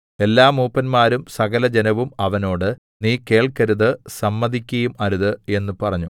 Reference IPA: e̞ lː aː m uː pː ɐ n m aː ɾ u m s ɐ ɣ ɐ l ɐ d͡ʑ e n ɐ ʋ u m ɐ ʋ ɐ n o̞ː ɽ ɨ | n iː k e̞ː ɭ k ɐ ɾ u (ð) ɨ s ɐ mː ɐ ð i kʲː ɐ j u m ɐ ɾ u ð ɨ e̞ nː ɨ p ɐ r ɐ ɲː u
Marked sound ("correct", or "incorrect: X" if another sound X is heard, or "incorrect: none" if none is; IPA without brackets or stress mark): correct